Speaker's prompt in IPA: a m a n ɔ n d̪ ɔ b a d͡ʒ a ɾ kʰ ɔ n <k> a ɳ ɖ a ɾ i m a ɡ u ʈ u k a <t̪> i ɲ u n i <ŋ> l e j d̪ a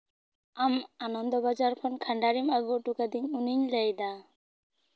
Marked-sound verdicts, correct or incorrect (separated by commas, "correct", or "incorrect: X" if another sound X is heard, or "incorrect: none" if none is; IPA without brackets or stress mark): incorrect: kʰ, incorrect: d̪, incorrect: ɲ